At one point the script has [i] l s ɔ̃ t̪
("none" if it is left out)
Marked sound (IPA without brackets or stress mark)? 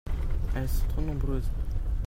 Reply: ɛ